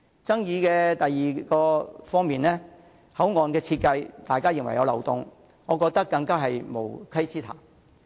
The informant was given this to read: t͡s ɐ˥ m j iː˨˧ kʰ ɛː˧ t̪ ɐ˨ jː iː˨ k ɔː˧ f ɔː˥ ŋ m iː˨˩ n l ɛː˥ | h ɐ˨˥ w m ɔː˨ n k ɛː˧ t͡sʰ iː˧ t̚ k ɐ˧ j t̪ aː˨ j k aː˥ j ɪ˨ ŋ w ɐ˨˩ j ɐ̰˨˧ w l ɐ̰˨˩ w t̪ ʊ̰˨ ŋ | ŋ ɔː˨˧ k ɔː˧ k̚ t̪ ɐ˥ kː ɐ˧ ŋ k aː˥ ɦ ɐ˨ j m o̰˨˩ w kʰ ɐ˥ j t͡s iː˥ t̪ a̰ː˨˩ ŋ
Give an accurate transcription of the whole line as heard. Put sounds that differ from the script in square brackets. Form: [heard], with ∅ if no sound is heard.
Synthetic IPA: t͡s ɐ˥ [ŋ] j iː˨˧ [k] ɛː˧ t̪ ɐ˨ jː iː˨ k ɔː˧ f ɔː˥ ŋ m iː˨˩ n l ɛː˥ | h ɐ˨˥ w [ŋ] ɔː˨ n k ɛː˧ t͡sʰ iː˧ t̚ k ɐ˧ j t̪ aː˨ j k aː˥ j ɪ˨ ŋ w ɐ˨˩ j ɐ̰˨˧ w l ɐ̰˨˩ w t̪ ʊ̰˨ ŋ | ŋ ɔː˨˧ k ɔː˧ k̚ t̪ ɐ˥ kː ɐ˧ ŋ k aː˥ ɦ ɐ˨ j m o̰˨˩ w kʰ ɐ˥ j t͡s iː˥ [t̪ʰ] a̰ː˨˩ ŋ